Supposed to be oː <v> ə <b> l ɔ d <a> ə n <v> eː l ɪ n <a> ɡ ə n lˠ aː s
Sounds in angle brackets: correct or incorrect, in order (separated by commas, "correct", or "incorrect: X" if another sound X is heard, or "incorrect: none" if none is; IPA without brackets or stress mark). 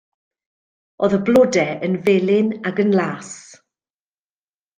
incorrect: ð, correct, incorrect: ɛ, correct, correct